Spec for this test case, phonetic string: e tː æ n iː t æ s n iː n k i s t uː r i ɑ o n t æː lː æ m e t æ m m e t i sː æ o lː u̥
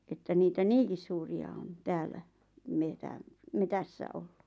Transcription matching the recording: e tː æ n iː t æ n iː ŋ k i s s uː r i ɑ o n t æː lː æ m e t æ m m e t æ sː æ o lː u̥